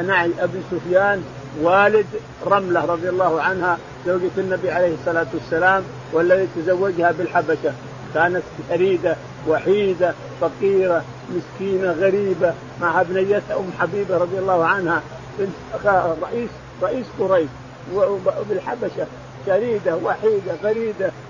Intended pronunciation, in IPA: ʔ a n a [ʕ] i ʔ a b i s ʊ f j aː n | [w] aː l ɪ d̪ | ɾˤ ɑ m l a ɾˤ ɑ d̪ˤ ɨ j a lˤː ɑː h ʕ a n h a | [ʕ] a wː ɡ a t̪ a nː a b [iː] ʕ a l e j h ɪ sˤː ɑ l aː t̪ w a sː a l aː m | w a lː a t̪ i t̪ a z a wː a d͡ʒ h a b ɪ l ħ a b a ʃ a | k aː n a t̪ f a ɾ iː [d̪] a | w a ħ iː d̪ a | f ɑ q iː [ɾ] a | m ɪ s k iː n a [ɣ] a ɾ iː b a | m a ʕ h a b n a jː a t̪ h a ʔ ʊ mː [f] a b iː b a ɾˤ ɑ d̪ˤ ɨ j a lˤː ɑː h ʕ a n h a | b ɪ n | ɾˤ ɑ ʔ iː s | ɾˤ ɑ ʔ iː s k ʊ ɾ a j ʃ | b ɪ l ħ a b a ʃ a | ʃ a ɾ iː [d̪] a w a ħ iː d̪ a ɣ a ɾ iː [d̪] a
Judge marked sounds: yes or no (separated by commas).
yes, yes, no, no, yes, yes, yes, no, yes, yes